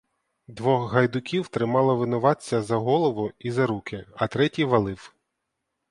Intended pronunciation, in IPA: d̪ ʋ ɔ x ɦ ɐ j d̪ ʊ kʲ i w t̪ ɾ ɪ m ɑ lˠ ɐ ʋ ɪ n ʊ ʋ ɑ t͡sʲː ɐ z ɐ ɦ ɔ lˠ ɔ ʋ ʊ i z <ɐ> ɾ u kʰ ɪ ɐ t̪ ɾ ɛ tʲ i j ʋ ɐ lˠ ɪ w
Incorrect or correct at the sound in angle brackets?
correct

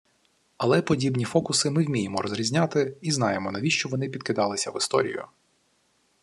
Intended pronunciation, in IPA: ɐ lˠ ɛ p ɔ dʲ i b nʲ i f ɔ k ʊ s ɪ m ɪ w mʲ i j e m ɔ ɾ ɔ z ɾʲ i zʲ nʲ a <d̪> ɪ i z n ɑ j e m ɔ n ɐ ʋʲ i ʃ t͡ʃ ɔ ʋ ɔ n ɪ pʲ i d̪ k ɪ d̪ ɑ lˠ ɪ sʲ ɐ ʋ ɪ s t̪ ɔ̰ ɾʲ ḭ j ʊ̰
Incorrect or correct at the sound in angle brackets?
incorrect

